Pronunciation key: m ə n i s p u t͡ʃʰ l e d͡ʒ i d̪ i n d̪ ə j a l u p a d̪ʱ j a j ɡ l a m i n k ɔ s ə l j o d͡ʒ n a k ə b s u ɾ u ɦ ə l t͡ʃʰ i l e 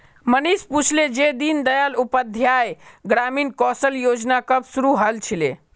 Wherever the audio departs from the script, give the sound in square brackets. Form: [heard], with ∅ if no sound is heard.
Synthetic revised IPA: m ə n i s p u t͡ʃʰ l e d͡ʒ [e] d̪ i n d̪ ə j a l u p [ə] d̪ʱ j a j ɡ [ɾ] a m i n k ɔ s ə l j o d͡ʒ n a k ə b s u ɾ u ɦ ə l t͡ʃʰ i l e

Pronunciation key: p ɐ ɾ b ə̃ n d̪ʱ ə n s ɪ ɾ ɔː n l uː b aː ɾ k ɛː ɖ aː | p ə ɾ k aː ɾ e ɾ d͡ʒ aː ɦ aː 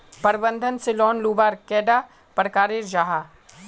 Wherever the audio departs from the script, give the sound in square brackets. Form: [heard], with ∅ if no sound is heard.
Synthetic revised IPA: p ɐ ɾ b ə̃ n d̪ʱ ə n s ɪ [l] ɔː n l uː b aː ɾ k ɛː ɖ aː | p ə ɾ k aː ɾ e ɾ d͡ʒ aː ɦ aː

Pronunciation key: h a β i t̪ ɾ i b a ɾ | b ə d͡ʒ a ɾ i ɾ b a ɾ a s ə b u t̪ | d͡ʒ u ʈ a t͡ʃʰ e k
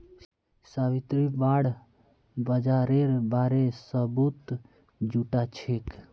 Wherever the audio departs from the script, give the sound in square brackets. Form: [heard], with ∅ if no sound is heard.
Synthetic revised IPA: [s] a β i t̪ ɾ i b a [ɽ] | b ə d͡ʒ a ɾ [e] ɾ b a ɾ [e] s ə b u t̪ | d͡ʒ u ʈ a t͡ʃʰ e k

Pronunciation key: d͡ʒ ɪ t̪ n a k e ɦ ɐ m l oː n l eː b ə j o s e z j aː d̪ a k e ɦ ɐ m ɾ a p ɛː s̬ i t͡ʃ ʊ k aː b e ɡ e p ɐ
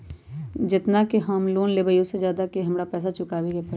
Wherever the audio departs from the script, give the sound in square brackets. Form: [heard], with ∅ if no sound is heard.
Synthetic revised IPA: d͡ʒ ɪ t̪ n a k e ɦ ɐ m l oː n l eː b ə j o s e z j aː d̪ a k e ɦ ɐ m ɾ a p ɛː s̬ [a] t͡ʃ ʊ k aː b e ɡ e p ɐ

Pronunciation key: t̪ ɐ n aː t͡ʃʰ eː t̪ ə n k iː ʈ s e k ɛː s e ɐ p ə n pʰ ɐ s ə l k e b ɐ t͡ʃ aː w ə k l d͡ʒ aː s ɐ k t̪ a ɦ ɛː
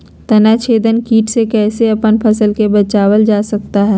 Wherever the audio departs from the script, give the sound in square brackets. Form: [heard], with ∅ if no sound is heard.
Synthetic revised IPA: t̪ ɐ n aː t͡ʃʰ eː [d̪] ə n k iː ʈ s e k ɛː s e ɐ p ə n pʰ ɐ s ə l k e b ɐ t͡ʃ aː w ə [∅] l d͡ʒ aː s ɐ k t̪ a ɦ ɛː

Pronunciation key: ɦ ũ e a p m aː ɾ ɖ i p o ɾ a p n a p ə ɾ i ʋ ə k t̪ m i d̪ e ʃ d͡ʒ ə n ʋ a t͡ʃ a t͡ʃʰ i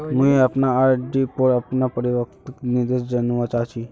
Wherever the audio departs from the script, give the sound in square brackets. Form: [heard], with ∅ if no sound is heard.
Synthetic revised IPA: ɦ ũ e a p [n] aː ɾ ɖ i p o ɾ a p n a p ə ɾ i ʋ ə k t̪ [n] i d̪ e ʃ d͡ʒ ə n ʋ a t͡ʃ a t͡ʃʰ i

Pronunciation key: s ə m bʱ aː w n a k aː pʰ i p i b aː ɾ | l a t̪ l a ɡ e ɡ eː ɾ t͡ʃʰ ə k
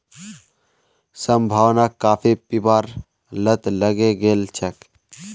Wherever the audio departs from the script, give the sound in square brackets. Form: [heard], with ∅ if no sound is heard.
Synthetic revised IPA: s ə m bʱ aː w n a k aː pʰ i p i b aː ɾ | l [ə] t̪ l [ə] ɡ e ɡ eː [l] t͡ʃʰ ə k

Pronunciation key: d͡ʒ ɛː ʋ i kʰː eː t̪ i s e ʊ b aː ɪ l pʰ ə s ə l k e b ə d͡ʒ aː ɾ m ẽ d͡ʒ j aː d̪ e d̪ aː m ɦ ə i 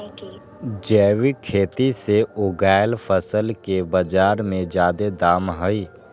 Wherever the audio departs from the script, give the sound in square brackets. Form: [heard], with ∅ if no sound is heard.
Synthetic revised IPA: d͡ʒ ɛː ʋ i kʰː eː t̪ i s e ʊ [ɡ] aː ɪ l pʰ ə s ə l k e b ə d͡ʒ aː ɾ m ẽ d͡ʒ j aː d̪ e d̪ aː m ɦ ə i

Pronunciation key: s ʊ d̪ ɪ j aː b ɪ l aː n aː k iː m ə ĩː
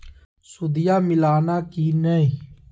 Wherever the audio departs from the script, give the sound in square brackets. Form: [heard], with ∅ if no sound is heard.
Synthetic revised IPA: s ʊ d̪ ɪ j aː [m] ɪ l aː n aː k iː [n] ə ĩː

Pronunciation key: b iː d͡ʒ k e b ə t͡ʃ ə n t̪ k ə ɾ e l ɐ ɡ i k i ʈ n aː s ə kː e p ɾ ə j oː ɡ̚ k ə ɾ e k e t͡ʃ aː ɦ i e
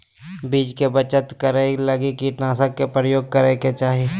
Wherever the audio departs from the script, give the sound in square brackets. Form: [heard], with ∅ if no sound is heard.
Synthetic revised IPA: b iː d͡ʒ k e b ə t͡ʃ ə [∅] t̪ k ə ɾ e l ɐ ɡ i k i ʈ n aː s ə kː e p ɾ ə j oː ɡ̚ k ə ɾ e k e t͡ʃ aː ɦ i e

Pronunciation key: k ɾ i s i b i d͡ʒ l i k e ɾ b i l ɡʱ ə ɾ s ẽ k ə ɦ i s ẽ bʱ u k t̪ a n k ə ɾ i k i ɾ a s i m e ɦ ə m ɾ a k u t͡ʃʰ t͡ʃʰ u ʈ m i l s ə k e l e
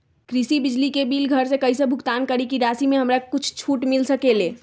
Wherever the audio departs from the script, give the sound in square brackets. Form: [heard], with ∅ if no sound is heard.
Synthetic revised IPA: k ɾ i s i b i d͡ʒ l i k e [∅] b i l ɡʱ ə ɾ s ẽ k ə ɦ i s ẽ bʱ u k t̪ a n k ə ɾ i k i ɾ a s i m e ɦ ə m ɾ a k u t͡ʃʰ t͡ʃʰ u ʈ m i l s ə k e l e

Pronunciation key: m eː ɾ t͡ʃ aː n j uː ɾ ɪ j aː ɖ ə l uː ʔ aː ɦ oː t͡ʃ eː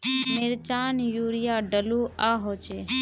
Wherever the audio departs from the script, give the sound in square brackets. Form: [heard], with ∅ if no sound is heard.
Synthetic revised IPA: m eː ɾ t͡ʃ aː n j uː ɾ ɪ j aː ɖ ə l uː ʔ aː ɦ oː t͡ʃ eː

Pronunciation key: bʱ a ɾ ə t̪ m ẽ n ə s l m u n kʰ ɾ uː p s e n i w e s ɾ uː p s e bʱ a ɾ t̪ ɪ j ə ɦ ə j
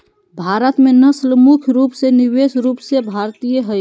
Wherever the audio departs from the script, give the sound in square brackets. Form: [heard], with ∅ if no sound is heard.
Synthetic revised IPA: bʱ a ɾ ə t̪ m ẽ n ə s l m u [∅] kʰ ɾ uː p s e n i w e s ɾ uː p s e bʱ a ɾ t̪ [i] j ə ɦ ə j

